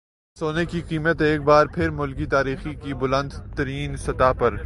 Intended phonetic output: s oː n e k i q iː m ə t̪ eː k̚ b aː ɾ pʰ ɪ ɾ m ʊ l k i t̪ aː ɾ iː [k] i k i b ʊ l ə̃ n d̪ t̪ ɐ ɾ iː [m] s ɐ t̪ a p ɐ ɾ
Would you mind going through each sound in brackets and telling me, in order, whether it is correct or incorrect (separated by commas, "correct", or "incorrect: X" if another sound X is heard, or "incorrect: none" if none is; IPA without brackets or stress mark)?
incorrect: x, incorrect: n